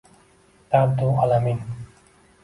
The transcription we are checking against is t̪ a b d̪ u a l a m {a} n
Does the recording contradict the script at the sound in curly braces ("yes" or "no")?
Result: yes